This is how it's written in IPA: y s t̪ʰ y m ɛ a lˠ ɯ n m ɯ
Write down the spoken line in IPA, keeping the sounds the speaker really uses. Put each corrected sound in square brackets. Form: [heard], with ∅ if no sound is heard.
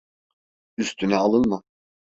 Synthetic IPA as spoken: y s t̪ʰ y [n] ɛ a lˠ ɯ n m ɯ